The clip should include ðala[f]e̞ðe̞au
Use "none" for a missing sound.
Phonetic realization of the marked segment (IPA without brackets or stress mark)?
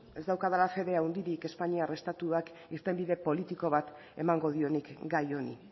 f